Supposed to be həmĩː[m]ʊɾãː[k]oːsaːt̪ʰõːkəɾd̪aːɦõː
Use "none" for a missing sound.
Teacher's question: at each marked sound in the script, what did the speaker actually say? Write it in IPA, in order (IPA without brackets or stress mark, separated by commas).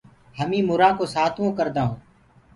m, k